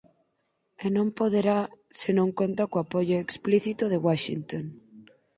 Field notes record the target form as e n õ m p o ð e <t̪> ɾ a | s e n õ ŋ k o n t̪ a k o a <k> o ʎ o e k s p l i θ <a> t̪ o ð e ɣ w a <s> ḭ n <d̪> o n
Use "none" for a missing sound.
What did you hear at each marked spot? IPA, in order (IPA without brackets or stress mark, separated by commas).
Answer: none, p, i, ʃ, t̪